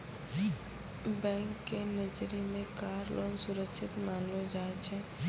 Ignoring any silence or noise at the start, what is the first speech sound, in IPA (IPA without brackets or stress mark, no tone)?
b